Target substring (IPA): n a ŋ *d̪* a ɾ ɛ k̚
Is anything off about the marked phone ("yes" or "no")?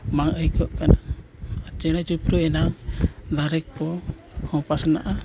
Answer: no